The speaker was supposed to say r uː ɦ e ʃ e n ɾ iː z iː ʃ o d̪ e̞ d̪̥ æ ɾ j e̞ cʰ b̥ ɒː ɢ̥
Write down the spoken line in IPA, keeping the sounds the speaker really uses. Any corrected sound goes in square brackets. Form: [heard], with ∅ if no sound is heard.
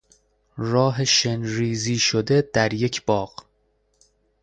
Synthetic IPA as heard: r [ɒː] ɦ e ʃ e n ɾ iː z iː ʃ o d̪ e̞ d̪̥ æ ɾ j e̞ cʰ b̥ ɒː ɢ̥